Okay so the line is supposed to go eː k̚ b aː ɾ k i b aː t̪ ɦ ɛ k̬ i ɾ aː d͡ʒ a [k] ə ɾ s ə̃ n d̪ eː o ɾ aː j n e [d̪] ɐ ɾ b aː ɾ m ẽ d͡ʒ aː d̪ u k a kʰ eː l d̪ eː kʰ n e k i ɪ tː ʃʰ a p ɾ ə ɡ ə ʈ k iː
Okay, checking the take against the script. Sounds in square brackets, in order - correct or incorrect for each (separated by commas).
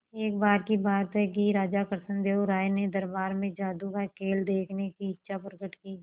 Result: correct, correct